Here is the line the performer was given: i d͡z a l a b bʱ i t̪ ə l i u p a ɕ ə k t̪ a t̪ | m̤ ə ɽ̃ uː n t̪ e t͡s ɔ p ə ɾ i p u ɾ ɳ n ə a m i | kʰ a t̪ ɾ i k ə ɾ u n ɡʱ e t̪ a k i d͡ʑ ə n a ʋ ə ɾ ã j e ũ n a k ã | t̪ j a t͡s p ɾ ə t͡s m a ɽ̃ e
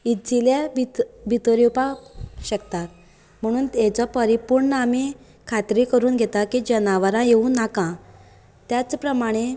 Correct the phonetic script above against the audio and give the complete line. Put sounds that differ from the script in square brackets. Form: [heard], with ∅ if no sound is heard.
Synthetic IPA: i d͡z [i] l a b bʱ i t̪ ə [ɾ] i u p a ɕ ə k t̪ a t̪ | m̤ ə ɽ̃ uː n t̪ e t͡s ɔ p ə ɾ i p u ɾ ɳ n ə a m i | kʰ a t̪ ɾ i k ə ɾ [uː] n ɡʱ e t̪ a k i d͡ʑ ə n a ʋ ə ɾ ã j e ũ n a k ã | t̪ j a t͡s p ɾ ə [∅] m a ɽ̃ e

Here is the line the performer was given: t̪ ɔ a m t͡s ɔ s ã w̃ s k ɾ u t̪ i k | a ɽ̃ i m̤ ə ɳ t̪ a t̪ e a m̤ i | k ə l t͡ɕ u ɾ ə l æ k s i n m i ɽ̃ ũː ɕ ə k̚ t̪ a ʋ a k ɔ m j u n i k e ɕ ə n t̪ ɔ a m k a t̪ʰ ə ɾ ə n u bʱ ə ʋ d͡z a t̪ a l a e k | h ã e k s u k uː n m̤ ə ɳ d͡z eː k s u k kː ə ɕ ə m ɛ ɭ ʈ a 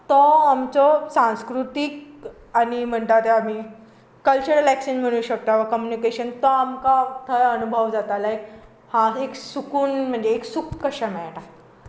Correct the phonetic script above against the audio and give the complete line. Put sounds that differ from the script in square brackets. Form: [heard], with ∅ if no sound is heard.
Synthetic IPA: t̪ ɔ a m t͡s ɔ s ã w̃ s k ɾ u t̪ i k | a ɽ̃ i m̤ ə ɳ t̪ a t̪ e a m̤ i | k ə l t͡ɕ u ɾ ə l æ k s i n m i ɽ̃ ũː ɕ ə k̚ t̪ a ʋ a k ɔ m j u n i k e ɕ ə n t̪ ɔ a m k a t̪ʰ ə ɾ ə n u bʱ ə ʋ d͡z a t̪ a l a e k | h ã e k s u k uː n m̤ ə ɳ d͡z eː k s u k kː ə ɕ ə m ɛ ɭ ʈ a

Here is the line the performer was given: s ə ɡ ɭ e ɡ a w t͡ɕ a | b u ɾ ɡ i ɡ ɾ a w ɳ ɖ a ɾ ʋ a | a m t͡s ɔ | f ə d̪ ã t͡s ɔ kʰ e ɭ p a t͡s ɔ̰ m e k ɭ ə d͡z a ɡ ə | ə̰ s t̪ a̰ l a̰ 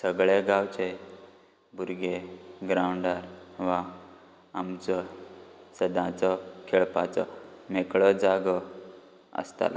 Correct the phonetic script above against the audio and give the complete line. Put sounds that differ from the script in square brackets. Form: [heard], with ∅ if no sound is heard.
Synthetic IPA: s ə ɡ ɭ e ɡ a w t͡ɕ [e] | b u ɾ ɡ [e] ɡ ɾ a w ɳ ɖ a ɾ ʋ a | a m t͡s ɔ | [s] ə d̪ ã t͡s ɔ kʰ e ɭ p a t͡s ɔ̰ m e k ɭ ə d͡z a ɡ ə | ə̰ s t̪ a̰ l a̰

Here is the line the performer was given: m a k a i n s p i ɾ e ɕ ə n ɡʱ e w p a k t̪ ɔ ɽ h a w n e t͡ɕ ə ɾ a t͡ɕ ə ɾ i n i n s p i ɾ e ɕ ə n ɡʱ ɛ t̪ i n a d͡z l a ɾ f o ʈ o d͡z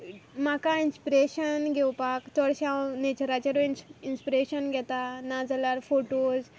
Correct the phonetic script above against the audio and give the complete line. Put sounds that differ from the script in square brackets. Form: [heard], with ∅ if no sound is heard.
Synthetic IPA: m a k a i n s p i ɾ e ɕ ə n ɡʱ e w p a k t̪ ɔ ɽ [ɕ] a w n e t͡ɕ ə ɾ a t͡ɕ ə ɾ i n i n s p i ɾ e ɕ ə n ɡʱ ɛ t̪ [a] n a d͡z l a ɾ f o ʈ o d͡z

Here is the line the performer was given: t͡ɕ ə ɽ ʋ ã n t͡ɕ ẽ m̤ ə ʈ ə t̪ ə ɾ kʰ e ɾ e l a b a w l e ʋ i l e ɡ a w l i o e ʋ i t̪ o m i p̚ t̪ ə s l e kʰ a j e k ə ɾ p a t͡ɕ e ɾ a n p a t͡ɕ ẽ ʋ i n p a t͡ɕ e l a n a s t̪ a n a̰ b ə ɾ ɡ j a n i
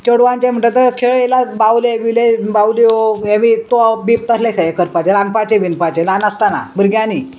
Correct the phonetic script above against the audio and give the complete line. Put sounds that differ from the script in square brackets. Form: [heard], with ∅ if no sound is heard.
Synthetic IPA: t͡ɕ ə ɽ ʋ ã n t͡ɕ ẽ m̤ ə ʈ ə t̪ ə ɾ kʰ e [ɭ] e l a b a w l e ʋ i l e [b] a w l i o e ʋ i t̪ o [b] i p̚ t̪ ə s l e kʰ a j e k ə ɾ p a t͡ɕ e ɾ a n p a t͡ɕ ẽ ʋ i n p a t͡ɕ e l a n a s t̪ a n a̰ b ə ɾ ɡ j a n i

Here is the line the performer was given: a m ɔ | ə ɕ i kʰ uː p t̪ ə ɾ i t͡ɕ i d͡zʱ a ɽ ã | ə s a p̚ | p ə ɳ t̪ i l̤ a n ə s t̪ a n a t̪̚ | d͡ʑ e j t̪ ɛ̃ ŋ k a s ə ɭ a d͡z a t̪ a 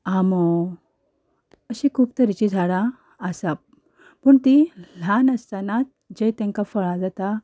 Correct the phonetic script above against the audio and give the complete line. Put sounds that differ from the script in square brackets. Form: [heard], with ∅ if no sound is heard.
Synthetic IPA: a m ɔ | ə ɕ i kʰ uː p t̪ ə ɾ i t͡ɕ i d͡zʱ a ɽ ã | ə s a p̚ | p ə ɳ t̪ i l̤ a n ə s t̪ a n a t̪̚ | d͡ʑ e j t̪ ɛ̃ ŋ k a [f] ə ɭ a d͡z a t̪ a

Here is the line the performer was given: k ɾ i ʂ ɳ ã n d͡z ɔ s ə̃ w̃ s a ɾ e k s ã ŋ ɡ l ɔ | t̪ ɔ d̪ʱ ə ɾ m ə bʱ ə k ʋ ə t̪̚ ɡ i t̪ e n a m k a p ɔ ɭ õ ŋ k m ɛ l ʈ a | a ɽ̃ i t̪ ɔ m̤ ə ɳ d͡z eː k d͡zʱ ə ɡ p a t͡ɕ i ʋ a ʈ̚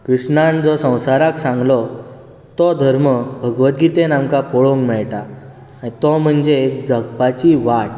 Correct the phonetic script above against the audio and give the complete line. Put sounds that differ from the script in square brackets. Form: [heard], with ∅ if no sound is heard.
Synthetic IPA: k ɾ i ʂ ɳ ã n d͡z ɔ s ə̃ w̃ s a ɾ [a] k s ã ŋ ɡ l ɔ | t̪ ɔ d̪ʱ ə ɾ m ə bʱ ə [ɡ] ʋ ə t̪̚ ɡ i t̪ e n a m k a p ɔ ɭ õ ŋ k m ɛ [ɭ] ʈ a | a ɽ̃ i t̪ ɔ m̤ ə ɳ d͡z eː k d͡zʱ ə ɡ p a t͡ɕ i ʋ a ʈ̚

